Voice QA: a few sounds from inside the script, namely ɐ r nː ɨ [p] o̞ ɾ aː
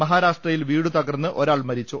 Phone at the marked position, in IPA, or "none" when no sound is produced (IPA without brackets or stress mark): ʔ